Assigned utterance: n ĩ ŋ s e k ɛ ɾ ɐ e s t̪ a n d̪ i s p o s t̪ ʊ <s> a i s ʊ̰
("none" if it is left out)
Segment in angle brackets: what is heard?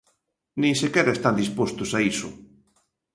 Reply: s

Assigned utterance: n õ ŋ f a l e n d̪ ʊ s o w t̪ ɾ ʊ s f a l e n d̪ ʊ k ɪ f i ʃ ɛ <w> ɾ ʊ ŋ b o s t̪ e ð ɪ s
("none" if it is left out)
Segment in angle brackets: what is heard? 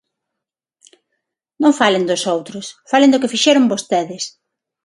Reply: none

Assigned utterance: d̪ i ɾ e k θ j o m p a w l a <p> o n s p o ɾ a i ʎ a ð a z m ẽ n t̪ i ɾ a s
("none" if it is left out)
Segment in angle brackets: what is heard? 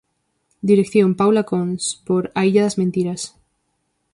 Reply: k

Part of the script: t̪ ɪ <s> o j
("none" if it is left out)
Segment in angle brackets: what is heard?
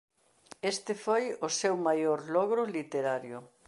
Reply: f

